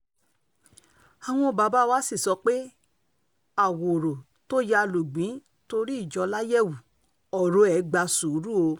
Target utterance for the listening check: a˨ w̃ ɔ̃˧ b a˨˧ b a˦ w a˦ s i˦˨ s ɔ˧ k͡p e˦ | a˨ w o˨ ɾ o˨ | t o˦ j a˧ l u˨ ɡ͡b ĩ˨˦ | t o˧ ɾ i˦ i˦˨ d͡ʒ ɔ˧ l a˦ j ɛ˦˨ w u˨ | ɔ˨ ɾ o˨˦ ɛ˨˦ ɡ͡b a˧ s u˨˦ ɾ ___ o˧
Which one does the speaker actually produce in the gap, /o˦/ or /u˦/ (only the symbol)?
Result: u˦